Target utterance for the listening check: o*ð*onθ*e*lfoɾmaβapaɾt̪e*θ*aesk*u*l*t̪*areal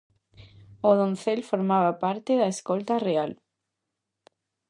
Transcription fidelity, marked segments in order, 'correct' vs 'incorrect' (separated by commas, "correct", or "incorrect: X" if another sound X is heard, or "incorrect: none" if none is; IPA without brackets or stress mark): correct, correct, incorrect: ð, incorrect: o, correct